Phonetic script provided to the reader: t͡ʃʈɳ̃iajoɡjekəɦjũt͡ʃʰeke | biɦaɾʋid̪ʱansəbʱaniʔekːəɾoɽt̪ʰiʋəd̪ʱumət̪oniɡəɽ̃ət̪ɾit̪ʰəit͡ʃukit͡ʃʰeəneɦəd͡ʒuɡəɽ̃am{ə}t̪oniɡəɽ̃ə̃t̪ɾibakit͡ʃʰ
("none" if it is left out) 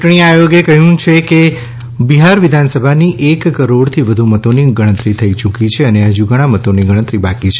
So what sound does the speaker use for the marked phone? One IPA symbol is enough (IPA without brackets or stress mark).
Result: ə